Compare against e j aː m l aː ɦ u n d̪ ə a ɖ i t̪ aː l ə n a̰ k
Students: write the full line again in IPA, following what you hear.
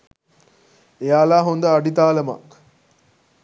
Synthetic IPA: e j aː l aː ɦ o n d̪ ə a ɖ i t̪ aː l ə m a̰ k